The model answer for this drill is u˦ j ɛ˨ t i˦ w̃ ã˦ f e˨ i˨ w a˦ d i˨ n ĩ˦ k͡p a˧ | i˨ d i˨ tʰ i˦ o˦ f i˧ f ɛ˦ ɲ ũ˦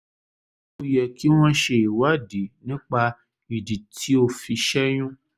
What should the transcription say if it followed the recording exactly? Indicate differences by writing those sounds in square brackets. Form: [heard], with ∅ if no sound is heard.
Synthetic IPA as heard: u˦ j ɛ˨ [k] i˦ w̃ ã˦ [ʃ] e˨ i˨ w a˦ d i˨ n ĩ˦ k͡p a˧ | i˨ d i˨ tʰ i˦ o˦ f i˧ [ʃ] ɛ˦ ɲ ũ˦